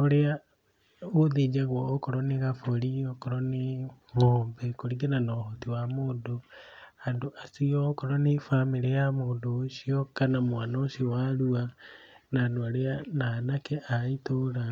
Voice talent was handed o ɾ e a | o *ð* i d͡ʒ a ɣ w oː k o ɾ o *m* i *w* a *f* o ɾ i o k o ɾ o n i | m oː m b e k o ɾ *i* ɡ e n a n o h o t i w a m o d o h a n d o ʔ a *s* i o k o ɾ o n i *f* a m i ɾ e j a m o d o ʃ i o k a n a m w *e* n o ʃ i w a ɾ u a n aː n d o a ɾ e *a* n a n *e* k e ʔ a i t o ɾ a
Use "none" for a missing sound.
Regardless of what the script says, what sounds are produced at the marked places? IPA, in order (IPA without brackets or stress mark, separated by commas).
ð, n, ɣ, f, i, s, f, a, a, a